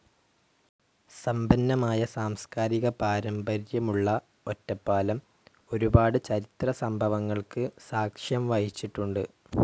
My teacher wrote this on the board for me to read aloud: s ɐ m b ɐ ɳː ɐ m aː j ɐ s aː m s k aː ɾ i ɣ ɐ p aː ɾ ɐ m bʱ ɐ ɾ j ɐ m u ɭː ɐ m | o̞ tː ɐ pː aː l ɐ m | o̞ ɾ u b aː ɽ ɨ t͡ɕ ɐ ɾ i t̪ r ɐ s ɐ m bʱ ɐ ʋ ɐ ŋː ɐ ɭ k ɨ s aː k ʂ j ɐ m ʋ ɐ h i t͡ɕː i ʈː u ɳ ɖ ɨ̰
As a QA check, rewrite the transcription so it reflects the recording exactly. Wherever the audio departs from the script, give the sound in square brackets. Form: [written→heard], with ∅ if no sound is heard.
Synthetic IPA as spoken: s ɐ m b ɐ [ɳː→nː] ɐ m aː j ɐ s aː m s k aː ɾ i ɣ ɐ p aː ɾ ɐ m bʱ ɐ ɾ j ɐ m u ɭː ɐ [m→∅] | o̞ tː ɐ pː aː l ɐ m | o̞ ɾ u b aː ɽ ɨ t͡ɕ ɐ ɾ i t̪ r ɐ s ɐ m bʱ ɐ ʋ ɐ ŋː ɐ ɭ k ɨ s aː k ʂ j ɐ m ʋ ɐ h i t͡ɕː i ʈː u ɳ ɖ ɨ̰

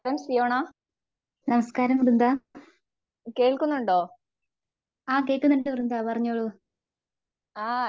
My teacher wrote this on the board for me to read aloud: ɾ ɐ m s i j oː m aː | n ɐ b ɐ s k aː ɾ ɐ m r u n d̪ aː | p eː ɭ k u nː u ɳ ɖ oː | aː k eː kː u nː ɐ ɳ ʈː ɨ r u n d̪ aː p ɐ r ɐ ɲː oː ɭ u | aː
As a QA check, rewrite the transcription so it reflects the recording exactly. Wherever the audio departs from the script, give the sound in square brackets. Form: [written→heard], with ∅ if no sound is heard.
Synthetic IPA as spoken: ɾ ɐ m s i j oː [m→ɳ] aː | n ɐ [b→m] ɐ s k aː ɾ ɐ m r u n d̪ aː | [p→k] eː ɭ k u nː u ɳ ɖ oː | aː k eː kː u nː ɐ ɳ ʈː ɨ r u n d̪ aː p ɐ r ɐ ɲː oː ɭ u | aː

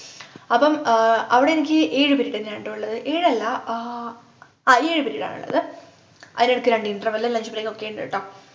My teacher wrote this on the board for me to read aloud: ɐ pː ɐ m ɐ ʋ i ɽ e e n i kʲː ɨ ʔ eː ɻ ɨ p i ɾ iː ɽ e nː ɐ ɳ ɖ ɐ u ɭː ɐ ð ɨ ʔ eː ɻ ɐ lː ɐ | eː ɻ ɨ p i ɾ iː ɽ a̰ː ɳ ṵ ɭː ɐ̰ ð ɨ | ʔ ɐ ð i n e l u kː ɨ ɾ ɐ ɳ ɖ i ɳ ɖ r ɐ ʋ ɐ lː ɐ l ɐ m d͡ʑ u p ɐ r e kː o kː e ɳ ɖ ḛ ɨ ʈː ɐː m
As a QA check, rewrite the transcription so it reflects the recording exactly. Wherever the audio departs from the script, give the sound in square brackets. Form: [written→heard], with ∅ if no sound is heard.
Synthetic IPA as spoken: ɐ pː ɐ m ɐ ʋ i ɽ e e n i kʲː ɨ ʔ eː ɻ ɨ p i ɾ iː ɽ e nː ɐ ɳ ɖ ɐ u ɭː ɐ ð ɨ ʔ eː ɻ ɐ lː ɐ | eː ɻ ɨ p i ɾ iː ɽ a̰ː ɳ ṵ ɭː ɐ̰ ð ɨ | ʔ ɐ ð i n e [l→ɽ] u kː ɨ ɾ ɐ ɳ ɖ i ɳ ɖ r ɐ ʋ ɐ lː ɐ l ɐ [m→ɲ] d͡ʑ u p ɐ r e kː o kː e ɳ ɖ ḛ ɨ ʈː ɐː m

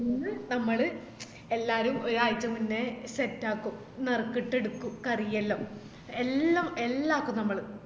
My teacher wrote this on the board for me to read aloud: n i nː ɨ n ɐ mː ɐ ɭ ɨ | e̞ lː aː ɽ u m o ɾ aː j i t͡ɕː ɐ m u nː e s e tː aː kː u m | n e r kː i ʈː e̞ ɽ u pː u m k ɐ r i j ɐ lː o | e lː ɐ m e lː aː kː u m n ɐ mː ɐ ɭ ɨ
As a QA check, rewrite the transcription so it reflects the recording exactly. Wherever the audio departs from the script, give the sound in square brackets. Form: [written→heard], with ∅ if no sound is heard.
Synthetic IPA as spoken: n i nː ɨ n ɐ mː ɐ ɭ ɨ | e̞ lː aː [ɽ→ɾ] u m o ɾ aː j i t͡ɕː ɐ m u nː e s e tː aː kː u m | n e r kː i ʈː e̞ ɽ u [pː→kː] u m k ɐ r i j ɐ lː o | e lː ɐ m e lː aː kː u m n ɐ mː ɐ ɭ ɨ

